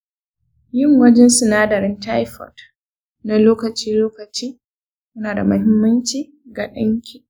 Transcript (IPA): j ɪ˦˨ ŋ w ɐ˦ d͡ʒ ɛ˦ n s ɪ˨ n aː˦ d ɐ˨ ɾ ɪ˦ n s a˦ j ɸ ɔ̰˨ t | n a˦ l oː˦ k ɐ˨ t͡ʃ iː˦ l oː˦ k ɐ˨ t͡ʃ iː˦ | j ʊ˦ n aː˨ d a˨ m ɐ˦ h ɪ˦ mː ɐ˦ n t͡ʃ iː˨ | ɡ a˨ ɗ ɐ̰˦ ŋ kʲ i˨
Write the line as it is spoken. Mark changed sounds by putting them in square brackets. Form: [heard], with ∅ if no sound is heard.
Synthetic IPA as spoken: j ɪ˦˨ ŋ w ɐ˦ d͡ʒ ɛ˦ n s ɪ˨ n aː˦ d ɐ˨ ɾ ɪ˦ n [t] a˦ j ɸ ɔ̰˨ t | n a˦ l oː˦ k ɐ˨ t͡ʃ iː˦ l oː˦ k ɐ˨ t͡ʃ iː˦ | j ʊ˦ n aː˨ d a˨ m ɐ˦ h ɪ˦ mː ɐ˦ n t͡ʃ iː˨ | ɡ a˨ ɗ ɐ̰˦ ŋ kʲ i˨